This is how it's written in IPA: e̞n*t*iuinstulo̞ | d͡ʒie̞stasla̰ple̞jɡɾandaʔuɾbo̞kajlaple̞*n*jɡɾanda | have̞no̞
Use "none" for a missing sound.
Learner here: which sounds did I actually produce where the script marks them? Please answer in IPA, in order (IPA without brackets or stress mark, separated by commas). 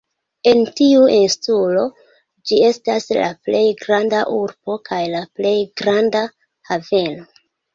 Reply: t, none